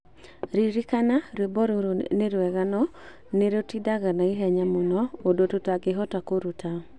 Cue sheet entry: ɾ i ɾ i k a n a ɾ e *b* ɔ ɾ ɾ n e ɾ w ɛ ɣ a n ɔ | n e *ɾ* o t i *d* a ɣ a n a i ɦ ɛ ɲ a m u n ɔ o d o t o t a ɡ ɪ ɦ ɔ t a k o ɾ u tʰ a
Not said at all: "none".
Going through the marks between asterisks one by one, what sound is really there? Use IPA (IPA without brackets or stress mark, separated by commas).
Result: b, ɾ, d